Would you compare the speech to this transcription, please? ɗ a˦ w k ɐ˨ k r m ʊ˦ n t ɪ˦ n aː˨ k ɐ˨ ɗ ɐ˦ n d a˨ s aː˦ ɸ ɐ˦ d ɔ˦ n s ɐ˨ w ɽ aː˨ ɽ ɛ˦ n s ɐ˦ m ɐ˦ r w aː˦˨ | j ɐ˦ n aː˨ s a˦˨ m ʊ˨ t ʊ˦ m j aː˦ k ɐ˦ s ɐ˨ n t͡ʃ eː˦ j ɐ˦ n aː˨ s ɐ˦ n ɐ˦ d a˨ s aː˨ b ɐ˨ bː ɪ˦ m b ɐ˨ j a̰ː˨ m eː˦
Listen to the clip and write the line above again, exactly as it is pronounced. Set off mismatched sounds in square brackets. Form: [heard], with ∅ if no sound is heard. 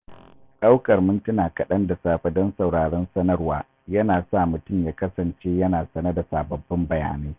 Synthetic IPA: ɗ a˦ w k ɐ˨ [∅] r m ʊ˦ n t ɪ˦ n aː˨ k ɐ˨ ɗ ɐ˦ n d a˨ s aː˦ ɸ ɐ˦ d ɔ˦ n s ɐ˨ w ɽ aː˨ ɽ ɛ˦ n s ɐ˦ [n] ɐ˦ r w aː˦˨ | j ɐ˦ n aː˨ s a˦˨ m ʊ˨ t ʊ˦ m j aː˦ k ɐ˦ s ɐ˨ n t͡ʃ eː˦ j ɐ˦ n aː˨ s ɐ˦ n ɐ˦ d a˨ s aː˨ b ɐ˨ bː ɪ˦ m b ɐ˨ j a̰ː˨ [n] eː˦